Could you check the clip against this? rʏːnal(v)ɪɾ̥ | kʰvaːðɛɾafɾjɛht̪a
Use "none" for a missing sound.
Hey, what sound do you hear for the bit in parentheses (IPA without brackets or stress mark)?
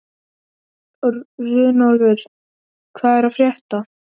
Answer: v